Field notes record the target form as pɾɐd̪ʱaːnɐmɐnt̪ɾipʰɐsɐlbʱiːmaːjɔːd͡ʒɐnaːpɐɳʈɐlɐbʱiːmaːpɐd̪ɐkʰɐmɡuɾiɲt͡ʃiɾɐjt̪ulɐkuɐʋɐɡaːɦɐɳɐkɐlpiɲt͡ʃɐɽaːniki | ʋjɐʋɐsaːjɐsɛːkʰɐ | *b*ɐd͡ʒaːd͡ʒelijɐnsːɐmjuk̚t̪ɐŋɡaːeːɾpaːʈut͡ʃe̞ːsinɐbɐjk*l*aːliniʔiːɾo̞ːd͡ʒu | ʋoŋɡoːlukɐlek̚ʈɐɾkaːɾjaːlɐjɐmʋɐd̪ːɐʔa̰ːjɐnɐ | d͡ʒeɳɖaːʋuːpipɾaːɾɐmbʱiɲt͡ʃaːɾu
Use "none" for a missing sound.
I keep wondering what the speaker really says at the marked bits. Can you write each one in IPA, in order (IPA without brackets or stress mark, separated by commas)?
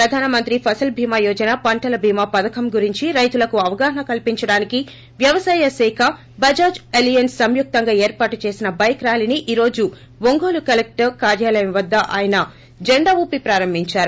b, ɾ